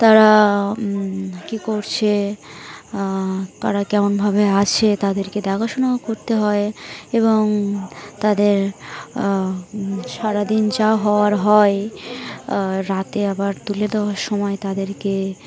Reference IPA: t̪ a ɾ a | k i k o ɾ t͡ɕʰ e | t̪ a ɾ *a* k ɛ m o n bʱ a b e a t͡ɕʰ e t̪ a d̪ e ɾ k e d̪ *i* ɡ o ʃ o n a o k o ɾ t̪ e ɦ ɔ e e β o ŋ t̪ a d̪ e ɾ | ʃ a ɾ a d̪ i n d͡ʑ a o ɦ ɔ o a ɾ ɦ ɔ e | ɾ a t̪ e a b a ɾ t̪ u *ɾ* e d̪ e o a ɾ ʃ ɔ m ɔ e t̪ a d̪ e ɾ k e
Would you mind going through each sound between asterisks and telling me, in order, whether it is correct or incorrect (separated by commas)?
correct, incorrect, incorrect